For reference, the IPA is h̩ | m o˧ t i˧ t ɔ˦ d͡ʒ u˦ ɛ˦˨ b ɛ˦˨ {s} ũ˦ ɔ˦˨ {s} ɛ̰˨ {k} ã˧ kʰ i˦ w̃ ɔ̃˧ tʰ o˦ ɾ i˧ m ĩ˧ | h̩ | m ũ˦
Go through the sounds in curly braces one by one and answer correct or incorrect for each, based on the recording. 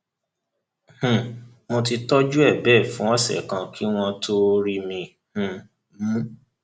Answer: incorrect: f, correct, correct

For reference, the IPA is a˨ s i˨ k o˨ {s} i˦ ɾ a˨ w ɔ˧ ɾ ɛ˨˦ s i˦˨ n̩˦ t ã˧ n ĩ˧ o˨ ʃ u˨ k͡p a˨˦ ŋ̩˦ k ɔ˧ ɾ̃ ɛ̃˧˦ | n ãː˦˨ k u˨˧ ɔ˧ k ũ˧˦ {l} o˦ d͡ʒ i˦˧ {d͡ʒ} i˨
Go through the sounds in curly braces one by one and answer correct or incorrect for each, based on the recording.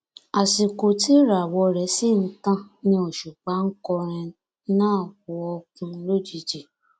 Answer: incorrect: t, correct, correct

